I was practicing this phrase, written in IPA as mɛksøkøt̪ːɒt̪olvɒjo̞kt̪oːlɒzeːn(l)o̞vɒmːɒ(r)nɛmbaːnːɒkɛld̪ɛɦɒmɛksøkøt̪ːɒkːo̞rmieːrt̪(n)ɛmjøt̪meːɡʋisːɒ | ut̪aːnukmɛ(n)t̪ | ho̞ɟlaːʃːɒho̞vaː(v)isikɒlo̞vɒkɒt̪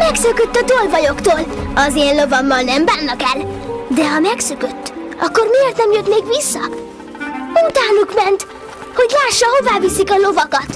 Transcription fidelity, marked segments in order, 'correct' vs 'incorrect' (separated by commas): correct, incorrect, correct, correct, correct